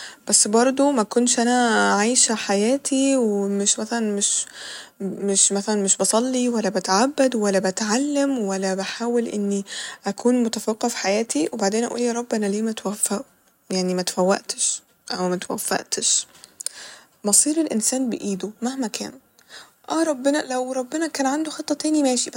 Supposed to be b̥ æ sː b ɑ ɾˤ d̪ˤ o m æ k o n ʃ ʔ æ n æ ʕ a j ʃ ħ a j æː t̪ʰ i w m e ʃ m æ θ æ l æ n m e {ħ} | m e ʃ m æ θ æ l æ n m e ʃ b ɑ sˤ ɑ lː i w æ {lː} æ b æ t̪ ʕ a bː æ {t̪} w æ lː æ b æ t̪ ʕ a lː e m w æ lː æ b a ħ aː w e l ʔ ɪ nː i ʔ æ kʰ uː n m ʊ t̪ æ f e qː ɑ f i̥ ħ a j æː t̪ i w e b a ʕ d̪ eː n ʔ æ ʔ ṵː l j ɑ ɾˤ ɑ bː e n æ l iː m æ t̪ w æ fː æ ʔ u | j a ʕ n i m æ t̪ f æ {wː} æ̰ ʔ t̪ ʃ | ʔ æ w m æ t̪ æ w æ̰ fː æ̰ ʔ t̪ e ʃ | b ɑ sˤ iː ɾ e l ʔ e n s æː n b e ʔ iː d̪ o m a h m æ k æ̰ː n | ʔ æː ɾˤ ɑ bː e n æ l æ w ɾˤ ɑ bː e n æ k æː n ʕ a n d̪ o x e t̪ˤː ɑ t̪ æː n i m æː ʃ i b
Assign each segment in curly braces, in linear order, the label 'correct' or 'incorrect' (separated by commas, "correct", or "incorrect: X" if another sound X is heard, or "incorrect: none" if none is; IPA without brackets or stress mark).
incorrect: ʃ, correct, incorrect: d̪, correct